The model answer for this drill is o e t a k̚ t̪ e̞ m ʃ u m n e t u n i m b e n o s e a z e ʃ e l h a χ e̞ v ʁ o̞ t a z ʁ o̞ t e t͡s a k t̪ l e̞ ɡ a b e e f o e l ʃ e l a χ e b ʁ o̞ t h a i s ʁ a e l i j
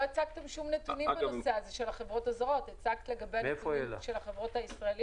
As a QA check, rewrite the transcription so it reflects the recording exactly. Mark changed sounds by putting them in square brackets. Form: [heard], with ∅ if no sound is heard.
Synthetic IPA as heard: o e [t͡s] a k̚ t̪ e̞ m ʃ u m n e t u n i m b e n o s e a z e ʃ e l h a χ e̞ v ʁ o̞ t a z ʁ o̞ t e t͡s a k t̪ l e̞ ɡ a b e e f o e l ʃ e l a χ e [v] ʁ o̞ t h a i s ʁ a e l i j